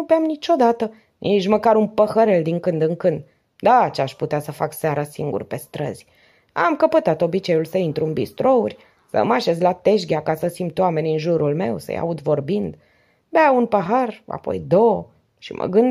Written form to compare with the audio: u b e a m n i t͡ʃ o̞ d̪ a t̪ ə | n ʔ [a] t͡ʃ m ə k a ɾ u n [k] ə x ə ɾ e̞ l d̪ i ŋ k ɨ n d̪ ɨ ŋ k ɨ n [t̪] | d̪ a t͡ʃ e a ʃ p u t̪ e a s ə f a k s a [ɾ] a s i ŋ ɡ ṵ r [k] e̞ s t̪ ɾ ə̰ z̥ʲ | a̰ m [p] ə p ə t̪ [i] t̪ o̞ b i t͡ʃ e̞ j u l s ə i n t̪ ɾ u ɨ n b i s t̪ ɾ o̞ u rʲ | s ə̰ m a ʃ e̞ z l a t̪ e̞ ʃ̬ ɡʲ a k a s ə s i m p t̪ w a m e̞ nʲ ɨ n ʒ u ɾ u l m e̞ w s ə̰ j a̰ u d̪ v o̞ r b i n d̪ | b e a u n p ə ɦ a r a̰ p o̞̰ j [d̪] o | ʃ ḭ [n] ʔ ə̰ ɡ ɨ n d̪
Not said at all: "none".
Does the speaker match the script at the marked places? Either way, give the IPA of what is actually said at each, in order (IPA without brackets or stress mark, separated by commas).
i, p, d̪, ɾ, p, k, a, d̪, m